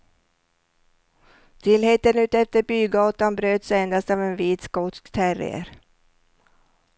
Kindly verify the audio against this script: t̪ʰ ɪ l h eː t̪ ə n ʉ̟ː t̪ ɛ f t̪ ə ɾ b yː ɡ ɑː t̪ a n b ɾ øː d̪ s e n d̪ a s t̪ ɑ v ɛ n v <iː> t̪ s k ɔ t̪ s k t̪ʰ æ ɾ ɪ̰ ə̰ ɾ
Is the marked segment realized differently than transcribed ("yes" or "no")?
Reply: no